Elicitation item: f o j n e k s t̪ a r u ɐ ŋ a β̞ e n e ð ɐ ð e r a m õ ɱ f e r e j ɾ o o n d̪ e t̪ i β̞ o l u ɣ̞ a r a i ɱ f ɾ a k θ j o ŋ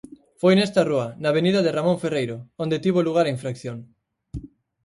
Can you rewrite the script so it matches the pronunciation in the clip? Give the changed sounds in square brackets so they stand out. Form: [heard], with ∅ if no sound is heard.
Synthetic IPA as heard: f o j n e [∅] s t̪ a r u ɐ [n] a β̞ e n [i] ð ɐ ð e r a m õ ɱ f e r e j ɾ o o n d̪ e t̪ i β̞ o l u ɣ̞ a [ɾ] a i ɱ f ɾ a k θ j o ŋ